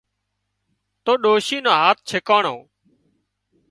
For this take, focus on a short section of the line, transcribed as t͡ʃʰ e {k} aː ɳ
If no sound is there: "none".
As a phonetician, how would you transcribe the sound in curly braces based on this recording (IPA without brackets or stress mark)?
k